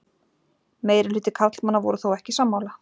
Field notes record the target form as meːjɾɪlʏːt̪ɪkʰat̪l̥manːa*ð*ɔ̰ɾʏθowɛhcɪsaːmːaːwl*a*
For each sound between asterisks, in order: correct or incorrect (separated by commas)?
incorrect, correct